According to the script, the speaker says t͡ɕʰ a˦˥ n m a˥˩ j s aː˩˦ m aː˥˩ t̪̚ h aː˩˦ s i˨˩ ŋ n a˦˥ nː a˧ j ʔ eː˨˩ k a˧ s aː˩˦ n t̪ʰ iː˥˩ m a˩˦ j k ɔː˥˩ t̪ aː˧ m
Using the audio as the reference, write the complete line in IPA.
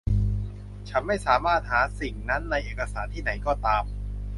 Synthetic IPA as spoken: t͡ɕʰ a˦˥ n m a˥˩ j s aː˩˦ m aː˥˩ t̪̚ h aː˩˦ s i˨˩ ŋ n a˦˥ nː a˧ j ʔ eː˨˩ k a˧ s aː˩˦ n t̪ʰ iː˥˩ n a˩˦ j k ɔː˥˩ t̪ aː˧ m